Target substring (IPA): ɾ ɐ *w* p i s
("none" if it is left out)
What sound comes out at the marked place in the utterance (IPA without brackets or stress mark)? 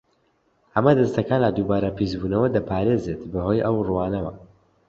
none